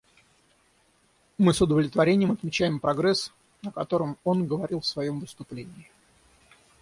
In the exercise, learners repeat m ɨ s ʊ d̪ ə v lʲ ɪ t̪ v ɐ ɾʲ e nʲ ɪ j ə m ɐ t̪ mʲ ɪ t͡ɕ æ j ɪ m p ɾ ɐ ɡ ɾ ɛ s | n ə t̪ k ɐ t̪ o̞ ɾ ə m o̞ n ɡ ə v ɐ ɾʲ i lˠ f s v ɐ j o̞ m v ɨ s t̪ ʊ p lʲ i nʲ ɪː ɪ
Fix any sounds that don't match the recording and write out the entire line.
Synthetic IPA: m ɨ s ʊ d̪ ə v lʲ ɪ t̪ v ɐ ɾʲ e nʲ ɪ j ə m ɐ t̪ mʲ ɪ t͡ɕ æ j ɪ m p ɾ ɐ ɡ ɾ ɛ s | n ə k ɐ t̪ o̞ ɾ ə m o̞ n ɡ ə v ɐ ɾʲ i lˠ f s v ɐ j o̞ m v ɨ s t̪ ʊ p lʲ e nʲ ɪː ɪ